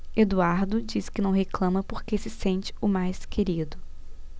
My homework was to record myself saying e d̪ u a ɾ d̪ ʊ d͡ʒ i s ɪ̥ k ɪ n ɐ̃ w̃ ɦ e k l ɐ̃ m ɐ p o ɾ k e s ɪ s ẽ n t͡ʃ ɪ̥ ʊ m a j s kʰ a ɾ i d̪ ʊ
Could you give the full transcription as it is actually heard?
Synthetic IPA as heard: e d̪ u a ɾ d̪ ʊ d͡ʒ i s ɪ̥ k ɪ n ɐ̃ w̃ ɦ e k l ɐ̃ m ɐ p o ɾ k e s ɪ s ẽ n t͡ʃ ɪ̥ ʊ m a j s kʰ e ɾ i d̪ ʊ